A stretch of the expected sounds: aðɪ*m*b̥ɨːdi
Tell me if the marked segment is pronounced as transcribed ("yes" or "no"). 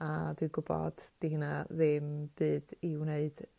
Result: yes